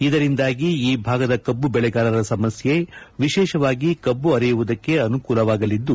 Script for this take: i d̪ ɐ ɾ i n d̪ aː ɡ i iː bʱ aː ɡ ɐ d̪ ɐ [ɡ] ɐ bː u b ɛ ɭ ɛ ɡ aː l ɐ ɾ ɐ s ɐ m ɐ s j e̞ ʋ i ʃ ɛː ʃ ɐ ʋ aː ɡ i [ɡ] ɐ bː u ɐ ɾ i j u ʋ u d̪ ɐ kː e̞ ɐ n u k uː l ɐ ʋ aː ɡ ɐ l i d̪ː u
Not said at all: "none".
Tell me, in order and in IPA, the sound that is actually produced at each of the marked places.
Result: k, k

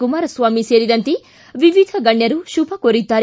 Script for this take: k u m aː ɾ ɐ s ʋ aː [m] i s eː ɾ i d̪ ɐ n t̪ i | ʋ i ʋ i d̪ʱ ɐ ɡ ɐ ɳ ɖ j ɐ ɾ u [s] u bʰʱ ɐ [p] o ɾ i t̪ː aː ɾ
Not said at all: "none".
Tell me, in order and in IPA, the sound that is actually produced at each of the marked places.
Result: m, ʃ, k

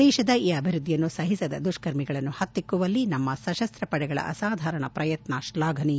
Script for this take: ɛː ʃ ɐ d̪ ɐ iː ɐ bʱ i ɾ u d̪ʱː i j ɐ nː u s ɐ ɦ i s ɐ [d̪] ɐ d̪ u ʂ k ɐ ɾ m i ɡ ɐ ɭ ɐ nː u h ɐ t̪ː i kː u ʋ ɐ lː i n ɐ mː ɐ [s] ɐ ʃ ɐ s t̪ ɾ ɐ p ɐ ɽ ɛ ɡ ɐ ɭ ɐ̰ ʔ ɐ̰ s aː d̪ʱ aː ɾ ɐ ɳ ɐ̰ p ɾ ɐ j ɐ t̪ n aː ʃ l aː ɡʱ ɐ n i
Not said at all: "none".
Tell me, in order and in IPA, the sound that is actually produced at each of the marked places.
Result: d̪, s

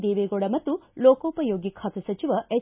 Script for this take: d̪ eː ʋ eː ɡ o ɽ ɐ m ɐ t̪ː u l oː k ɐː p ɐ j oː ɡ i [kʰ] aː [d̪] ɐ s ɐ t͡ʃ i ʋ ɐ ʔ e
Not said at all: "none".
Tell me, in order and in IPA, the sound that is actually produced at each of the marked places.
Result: kʰ, t̪

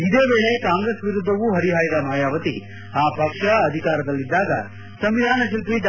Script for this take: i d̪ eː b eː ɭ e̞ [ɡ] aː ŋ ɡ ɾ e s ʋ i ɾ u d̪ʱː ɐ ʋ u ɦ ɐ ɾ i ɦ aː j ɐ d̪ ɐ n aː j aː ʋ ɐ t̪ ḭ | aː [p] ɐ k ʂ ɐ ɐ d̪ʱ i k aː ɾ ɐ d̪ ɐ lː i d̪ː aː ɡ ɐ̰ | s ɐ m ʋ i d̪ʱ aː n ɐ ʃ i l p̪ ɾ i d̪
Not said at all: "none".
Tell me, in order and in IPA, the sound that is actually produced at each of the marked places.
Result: k, p

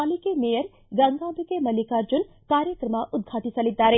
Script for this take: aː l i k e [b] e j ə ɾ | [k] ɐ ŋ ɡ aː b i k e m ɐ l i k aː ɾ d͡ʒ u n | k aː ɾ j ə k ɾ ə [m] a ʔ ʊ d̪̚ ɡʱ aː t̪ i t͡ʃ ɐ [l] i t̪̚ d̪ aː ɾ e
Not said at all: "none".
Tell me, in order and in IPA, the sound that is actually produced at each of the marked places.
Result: m, ɡ, m, l

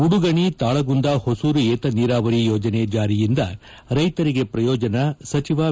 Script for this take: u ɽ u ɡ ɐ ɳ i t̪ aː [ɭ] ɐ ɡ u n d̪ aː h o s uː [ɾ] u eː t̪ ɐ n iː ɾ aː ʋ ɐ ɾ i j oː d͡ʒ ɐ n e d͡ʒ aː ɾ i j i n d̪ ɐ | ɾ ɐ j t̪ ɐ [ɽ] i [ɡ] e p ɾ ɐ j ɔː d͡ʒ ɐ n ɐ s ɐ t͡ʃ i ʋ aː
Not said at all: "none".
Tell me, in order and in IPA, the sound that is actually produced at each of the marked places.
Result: ɭ, ɾ, ɾ, ɡ

